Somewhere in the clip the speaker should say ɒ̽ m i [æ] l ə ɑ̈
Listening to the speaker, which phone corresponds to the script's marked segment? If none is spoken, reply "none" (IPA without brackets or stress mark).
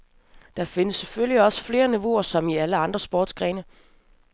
æ